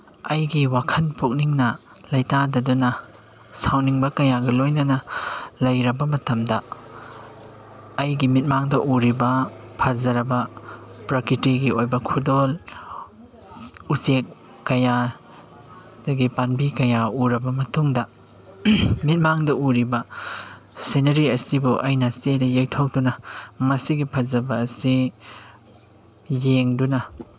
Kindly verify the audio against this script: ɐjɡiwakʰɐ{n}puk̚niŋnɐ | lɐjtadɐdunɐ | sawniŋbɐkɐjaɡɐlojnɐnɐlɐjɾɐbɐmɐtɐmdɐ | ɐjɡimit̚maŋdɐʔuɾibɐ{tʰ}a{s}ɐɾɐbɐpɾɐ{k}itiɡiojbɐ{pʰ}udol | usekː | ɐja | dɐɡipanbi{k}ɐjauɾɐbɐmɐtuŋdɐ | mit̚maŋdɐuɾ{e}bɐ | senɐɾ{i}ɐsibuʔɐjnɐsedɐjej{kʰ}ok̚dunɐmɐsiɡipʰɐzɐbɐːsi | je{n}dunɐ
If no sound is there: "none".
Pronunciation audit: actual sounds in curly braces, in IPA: n, pʰ, z, k, kʰ, k, i, i, tʰ, ŋ

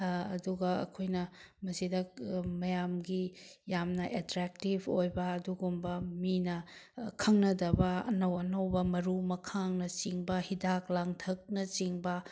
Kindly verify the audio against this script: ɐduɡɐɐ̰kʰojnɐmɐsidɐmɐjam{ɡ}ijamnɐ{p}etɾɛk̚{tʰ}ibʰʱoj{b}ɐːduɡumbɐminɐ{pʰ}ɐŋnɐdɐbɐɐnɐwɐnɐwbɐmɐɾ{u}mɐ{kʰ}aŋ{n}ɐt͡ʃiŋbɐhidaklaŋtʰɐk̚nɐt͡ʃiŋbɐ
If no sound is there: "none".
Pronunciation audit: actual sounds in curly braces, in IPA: ɡ, ʔ, t, b, kʰ, u, kʰ, n

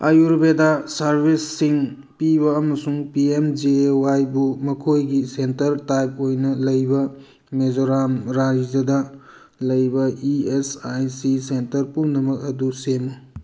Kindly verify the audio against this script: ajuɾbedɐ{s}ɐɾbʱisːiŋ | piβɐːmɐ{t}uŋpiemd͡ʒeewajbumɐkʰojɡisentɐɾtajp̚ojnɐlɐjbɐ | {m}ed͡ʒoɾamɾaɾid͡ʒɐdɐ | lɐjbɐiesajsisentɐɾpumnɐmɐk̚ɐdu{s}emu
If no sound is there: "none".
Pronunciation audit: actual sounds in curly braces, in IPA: s, s, m, s

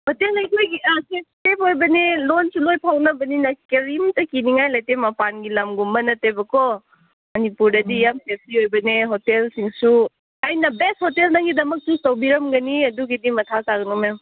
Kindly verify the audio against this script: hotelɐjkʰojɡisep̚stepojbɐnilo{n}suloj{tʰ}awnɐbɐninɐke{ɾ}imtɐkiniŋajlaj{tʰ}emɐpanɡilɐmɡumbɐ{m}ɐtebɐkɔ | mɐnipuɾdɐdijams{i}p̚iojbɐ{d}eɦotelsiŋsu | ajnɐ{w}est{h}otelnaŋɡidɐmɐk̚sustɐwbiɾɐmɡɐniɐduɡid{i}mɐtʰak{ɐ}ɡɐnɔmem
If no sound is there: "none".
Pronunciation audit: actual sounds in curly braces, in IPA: n, pʰ, ɾ, t, n, e, n, b, h, i, a

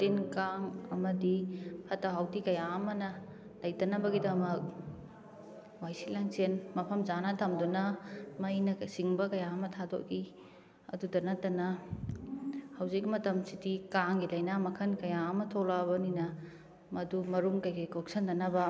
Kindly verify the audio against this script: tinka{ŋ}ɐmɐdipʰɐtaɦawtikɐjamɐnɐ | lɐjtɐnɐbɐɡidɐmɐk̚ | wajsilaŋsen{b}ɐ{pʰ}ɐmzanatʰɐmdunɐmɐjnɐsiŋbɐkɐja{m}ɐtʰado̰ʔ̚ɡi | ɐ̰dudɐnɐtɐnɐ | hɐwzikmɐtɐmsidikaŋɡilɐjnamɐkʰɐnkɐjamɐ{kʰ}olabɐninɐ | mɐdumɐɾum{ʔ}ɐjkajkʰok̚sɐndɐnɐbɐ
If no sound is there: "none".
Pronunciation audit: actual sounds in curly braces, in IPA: ŋ, m, pʰ, m, tʰ, k

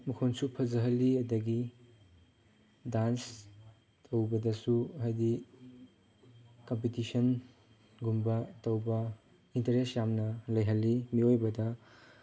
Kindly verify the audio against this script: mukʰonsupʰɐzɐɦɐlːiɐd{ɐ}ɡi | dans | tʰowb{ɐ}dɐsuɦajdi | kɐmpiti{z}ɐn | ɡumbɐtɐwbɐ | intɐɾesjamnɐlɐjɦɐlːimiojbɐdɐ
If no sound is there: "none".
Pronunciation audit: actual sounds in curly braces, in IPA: ɐ, ɐ, s

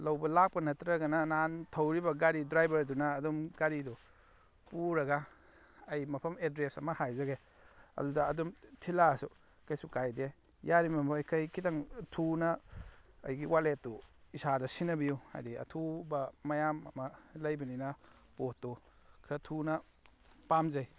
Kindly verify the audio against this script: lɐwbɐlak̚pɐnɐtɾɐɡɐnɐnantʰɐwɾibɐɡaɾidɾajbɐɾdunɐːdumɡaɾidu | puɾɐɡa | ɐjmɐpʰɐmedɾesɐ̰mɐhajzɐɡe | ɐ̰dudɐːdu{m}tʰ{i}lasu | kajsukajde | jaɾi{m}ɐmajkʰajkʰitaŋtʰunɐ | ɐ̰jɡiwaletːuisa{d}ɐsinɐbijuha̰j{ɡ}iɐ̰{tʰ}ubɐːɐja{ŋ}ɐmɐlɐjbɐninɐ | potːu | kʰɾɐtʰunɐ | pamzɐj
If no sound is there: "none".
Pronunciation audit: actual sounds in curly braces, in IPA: m, i, m, d, d, tʰ, m

